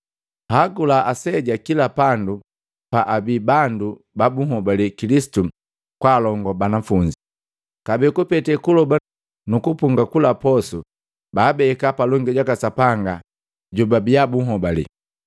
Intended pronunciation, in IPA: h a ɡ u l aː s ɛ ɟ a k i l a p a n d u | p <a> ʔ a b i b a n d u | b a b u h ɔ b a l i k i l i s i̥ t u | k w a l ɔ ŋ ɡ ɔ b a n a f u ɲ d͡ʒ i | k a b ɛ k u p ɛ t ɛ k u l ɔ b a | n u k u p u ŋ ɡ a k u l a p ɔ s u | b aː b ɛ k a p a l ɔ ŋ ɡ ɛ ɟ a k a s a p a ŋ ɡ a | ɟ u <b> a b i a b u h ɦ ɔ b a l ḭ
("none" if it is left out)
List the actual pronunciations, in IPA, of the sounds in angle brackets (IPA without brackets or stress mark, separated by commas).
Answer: a, b